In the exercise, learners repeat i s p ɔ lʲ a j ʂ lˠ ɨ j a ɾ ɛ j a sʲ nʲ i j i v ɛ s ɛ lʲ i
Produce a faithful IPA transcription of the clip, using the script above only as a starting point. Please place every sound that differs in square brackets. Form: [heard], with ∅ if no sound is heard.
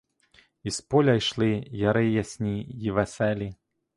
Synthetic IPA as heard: i s p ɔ lʲ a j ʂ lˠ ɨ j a ɾ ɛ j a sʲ nʲ i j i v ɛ s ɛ lʲ i